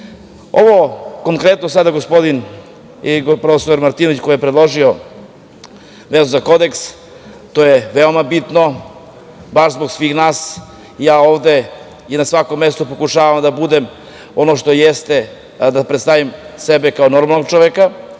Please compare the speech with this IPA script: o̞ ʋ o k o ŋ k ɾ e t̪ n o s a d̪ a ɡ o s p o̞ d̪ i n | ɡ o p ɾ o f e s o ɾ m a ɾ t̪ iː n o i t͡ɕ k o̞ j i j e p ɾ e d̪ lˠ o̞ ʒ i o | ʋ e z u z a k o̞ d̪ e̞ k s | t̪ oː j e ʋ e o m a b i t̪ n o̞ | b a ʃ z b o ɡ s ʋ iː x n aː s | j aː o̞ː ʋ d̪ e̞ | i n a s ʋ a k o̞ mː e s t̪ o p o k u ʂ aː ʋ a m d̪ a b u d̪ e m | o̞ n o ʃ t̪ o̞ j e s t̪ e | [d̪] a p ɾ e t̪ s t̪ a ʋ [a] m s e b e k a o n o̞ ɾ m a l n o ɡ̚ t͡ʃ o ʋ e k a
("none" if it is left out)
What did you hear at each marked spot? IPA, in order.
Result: d̪, i

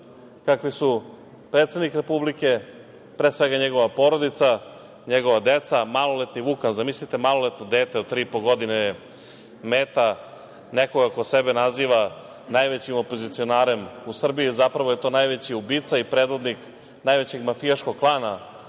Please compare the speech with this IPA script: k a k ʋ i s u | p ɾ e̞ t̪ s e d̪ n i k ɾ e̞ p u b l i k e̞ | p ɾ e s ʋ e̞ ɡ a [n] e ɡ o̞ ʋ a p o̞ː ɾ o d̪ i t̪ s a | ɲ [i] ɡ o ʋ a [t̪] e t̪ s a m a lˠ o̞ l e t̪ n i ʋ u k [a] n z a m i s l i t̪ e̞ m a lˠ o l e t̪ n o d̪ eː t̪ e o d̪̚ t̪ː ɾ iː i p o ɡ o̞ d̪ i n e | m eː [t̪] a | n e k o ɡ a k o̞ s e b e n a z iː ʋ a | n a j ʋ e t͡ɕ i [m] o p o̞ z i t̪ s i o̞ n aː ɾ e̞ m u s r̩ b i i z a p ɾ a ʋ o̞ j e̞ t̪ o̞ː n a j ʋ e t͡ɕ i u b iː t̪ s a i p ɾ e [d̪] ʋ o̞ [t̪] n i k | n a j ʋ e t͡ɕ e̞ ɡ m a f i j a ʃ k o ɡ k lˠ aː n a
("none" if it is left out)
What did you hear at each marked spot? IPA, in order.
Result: ɲ, e, d̪, a, t̪, m, d̪, d̪

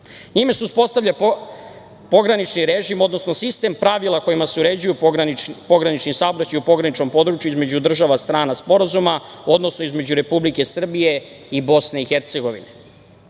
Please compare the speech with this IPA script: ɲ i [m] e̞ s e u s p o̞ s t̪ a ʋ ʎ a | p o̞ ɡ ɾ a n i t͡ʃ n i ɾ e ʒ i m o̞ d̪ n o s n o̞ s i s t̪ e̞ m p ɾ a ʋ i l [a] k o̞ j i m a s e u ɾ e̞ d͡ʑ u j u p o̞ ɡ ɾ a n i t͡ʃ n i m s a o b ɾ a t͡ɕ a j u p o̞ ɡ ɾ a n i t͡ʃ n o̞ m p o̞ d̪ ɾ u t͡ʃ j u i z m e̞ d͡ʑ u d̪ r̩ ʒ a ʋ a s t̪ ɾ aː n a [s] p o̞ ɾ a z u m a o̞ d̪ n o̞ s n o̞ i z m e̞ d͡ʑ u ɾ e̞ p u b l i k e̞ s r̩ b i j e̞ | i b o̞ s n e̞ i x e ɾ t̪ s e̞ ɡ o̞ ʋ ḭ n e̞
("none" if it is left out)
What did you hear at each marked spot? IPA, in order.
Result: m, a, s

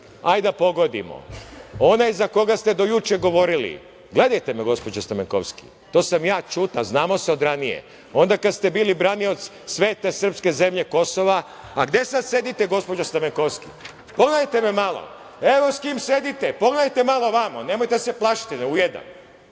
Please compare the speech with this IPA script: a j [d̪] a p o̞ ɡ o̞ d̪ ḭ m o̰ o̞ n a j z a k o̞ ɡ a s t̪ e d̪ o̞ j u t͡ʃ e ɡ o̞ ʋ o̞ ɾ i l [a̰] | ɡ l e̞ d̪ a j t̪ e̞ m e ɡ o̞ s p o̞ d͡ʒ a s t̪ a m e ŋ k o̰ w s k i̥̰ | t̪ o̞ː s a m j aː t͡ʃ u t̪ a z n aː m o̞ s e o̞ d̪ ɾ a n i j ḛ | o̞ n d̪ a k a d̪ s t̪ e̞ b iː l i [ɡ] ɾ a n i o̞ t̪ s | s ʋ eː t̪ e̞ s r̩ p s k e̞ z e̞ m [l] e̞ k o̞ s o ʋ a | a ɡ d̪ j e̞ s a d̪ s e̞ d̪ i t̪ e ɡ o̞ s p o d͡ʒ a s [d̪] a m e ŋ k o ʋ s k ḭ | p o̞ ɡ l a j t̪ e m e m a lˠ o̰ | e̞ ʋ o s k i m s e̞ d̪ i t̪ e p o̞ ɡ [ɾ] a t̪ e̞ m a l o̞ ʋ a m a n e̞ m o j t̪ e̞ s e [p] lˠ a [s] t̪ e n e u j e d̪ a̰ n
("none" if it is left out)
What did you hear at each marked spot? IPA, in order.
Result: d̪, ḭ, b, ʎ, t̪, l, p, ʃ

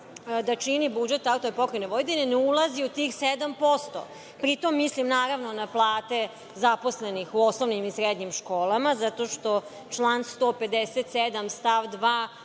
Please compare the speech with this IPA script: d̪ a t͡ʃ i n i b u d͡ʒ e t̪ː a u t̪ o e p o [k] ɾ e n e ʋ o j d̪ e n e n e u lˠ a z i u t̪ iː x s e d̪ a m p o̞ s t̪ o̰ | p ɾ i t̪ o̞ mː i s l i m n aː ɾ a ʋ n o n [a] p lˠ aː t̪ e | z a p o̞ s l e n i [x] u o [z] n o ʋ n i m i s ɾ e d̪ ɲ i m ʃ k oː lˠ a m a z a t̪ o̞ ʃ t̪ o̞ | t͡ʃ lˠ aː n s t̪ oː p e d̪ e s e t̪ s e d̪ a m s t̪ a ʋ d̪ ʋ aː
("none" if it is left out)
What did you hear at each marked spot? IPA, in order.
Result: k, a, x, s

